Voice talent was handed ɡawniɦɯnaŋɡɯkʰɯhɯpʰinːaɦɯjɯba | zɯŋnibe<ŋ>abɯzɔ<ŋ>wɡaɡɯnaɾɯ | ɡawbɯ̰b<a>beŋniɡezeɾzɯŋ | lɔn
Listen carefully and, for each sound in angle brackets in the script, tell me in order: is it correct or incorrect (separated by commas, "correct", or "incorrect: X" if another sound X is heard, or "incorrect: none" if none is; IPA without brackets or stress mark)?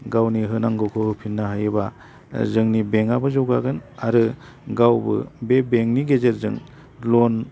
correct, incorrect: none, incorrect: e